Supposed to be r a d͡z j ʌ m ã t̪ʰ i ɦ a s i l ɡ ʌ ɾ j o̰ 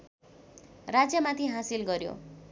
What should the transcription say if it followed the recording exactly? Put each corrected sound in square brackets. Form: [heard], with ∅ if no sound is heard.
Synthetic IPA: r a d͡z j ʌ m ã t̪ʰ i ɦ a s i l ɡ ʌ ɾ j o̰

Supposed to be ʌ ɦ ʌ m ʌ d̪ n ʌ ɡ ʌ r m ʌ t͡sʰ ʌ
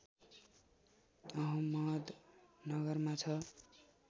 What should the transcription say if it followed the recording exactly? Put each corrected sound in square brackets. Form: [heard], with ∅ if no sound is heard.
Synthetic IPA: ʌ ɦ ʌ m ʌ d̪ n ʌ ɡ ʌ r m [a] t͡sʰ ʌ

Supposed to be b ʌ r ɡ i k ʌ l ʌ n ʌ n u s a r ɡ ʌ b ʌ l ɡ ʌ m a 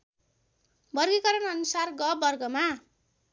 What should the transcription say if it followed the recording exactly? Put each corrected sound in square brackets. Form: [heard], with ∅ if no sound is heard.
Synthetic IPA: b ʌ r ɡ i k ʌ [ɾ] ʌ n ʌ n u s a r ɡ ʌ b ʌ [r] ɡ ʌ m a

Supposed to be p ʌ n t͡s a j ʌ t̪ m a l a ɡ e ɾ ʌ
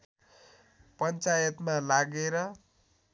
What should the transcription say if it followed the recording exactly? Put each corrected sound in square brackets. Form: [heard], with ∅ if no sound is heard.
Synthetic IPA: p ʌ n t͡s a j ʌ t̪ m a l a ɡ e ɾ ʌ

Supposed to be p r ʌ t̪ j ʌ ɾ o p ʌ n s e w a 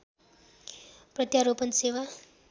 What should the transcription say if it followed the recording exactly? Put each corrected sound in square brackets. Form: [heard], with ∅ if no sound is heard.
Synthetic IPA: p r ʌ t̪ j [a] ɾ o p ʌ n s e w a

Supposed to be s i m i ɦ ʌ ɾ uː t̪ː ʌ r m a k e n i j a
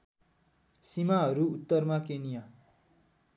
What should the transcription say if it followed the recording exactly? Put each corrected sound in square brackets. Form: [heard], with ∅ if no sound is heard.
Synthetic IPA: s i m [a] ɦ ʌ ɾ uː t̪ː ʌ r m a k e n i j a

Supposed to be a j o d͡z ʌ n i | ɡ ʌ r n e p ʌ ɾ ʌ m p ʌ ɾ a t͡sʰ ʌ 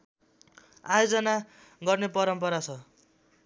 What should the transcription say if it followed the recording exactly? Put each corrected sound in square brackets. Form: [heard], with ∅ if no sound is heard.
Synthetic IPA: a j o d͡z ʌ n [a] | ɡ ʌ r n e p ʌ ɾ ʌ m p ʌ ɾ a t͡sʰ ʌ

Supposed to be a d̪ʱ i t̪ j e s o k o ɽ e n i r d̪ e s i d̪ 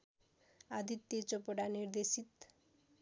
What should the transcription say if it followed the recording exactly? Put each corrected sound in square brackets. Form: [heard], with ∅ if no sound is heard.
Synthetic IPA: a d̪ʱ i t̪ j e [t͡s] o [p] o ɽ [a] n i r d̪ e s i [t̪]

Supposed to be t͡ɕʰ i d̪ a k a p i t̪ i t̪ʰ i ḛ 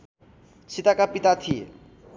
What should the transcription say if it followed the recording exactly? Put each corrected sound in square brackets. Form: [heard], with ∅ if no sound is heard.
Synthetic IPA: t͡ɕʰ i [t̪] a k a p i t̪ [a] t̪ʰ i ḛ

